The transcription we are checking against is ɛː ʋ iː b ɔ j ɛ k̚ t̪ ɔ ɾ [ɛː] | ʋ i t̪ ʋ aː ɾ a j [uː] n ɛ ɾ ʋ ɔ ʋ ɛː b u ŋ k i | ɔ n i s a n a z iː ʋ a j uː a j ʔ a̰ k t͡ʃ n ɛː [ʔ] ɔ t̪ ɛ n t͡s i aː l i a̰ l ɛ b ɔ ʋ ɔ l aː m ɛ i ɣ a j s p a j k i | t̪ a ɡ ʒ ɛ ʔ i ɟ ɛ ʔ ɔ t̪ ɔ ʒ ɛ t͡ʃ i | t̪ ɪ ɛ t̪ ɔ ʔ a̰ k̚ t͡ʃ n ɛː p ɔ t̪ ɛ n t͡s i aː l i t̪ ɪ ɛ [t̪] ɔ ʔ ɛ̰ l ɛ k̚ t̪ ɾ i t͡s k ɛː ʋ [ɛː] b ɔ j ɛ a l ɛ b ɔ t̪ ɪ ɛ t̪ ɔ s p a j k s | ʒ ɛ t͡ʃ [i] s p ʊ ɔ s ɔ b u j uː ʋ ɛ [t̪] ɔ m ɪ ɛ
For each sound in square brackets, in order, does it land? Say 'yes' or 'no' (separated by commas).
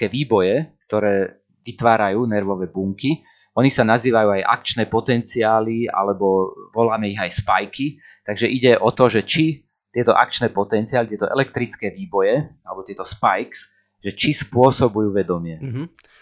yes, yes, no, yes, no, yes, no